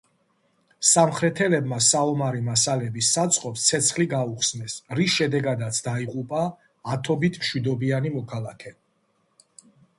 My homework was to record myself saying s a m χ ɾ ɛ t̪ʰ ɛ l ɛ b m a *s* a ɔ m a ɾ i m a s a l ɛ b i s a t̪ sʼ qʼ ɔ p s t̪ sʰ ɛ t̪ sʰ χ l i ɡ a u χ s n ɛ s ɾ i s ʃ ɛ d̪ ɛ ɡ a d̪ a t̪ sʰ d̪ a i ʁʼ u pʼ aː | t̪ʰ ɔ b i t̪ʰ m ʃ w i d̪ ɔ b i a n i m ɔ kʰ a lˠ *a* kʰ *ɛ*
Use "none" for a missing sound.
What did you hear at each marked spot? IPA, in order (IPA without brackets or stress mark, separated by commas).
s, a, ɛ